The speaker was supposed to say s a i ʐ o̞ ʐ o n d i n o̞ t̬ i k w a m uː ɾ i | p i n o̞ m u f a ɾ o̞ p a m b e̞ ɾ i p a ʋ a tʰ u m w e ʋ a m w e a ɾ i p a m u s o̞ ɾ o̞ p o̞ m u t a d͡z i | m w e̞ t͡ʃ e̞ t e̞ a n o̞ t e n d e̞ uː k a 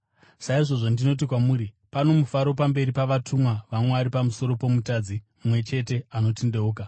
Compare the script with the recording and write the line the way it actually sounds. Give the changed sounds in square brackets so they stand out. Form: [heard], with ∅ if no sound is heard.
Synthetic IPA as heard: s a i ʐ o̞ ʐ o n d i n o̞ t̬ i k w a m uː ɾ i | p [a] n o̞ m u f a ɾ o̞ p a m b e̞ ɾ i p a ʋ a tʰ u m w [a] ʋ a m w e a ɾ i p a m u s o̞ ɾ o̞ p o̞ m u t a d͡z i | m w e̞ t͡ʃ e̞ t e̞ a n o̞ t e n d e̞ uː k a